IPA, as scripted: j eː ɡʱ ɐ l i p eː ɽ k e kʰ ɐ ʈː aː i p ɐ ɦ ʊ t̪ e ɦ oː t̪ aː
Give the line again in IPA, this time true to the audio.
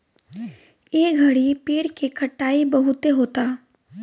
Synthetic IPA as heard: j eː ɡʱ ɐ ɽ i p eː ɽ k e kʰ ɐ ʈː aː i b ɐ ɦ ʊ t̪ e ɦ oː t̪ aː